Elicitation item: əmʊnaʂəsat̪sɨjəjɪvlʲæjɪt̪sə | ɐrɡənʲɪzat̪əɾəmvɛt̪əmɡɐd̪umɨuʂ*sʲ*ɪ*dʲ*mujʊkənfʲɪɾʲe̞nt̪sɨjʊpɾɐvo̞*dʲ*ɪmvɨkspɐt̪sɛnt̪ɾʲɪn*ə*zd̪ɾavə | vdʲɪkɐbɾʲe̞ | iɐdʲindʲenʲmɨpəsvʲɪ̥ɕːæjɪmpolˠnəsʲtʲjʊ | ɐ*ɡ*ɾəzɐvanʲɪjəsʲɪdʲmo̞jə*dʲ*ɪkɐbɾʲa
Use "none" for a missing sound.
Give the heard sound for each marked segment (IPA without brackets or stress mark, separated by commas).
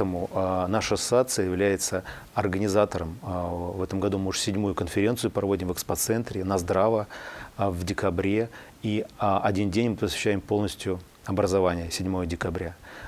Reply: sʲ, dʲ, dʲ, ɐ, b, dʲ